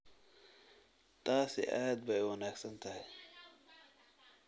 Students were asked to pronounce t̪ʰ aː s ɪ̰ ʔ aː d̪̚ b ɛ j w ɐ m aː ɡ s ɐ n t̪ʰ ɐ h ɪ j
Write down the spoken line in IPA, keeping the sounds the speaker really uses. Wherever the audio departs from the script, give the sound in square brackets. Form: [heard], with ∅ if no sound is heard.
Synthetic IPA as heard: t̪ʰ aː s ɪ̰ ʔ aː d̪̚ b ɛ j w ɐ [n] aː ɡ s ɐ n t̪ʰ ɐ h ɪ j